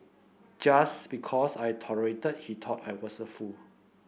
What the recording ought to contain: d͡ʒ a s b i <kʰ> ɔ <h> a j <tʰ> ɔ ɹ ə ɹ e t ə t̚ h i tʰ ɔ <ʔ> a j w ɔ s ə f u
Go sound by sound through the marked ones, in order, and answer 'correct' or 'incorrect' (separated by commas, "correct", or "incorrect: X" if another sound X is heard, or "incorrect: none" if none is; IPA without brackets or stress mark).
correct, incorrect: s, correct, incorrect: t